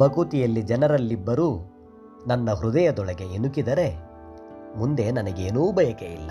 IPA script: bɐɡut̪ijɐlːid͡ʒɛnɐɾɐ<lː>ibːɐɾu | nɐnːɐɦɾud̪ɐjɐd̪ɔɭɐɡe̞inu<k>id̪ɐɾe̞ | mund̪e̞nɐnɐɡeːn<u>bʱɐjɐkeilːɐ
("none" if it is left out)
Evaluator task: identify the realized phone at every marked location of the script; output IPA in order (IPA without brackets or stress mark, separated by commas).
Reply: lː, k, uː